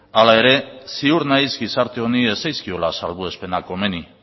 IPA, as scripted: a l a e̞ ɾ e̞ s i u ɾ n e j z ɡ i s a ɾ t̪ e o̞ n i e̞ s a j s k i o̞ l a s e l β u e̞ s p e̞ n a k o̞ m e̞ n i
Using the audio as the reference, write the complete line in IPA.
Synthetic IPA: a l a e̞ ɾ e̞ s i u ɾ n a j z ɡ i s a ɾ t̪ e o̞ n i e̞ s a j s k i o̞ l a s a l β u e̞ s p e̞ n a k o̞ m e̞ n i